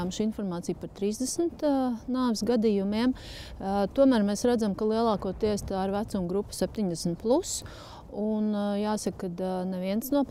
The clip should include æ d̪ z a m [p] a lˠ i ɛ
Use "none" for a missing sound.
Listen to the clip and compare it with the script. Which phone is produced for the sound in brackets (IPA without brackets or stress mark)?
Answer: k